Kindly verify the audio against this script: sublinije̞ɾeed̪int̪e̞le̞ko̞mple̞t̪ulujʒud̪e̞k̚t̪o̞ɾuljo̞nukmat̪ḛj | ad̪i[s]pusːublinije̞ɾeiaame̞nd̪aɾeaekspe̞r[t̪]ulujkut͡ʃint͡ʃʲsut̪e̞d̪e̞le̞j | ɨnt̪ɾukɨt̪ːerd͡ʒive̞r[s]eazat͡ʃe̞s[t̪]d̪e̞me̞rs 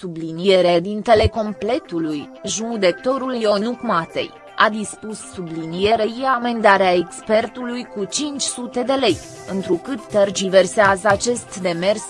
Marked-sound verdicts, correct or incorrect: correct, correct, correct, correct

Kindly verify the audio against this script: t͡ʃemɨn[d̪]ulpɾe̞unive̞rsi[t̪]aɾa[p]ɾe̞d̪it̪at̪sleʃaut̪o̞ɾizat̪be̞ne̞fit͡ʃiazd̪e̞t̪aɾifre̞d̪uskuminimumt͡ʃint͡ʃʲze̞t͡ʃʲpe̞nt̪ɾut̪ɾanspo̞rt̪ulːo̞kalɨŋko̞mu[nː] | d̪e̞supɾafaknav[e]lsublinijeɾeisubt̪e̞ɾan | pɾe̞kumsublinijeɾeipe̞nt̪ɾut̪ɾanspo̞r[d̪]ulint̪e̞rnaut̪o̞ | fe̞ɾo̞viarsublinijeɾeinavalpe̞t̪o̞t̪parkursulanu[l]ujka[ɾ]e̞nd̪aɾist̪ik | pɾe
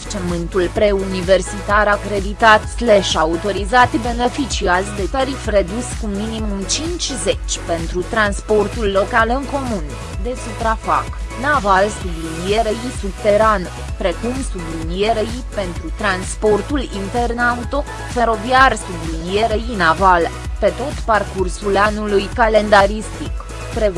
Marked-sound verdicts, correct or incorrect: incorrect, correct, incorrect, incorrect, incorrect, incorrect, correct, incorrect

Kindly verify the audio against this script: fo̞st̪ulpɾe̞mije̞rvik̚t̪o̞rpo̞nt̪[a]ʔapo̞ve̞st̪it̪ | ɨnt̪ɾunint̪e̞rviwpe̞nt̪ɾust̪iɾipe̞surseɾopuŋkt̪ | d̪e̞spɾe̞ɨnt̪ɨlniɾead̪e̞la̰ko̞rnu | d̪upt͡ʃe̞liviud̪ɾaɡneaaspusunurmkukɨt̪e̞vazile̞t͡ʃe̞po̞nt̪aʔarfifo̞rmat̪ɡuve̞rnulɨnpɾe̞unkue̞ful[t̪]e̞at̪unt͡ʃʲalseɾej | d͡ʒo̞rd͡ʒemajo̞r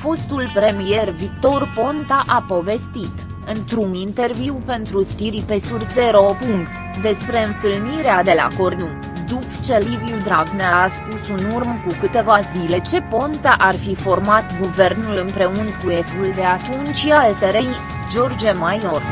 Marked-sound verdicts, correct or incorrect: correct, incorrect

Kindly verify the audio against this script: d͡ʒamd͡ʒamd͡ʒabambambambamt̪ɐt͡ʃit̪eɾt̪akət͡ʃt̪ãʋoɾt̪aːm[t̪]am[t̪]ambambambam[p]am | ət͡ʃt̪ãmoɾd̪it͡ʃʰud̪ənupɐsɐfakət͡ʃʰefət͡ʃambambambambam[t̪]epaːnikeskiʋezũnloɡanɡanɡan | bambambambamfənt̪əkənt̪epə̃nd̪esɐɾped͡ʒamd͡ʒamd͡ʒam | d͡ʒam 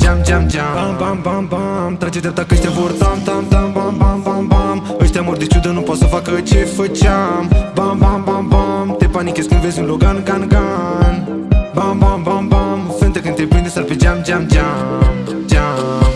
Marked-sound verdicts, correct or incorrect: correct, correct, incorrect, correct

